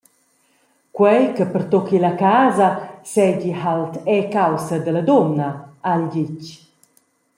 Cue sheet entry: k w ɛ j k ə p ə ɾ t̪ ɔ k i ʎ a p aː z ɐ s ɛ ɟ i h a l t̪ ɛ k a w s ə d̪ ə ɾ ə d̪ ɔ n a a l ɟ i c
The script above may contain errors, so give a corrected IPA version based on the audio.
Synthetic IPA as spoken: k w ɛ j k ə p ə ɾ t̪ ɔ k i l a k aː z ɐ s ɛ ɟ i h a l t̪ ɛ k a w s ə d̪ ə l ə d̪ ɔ n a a l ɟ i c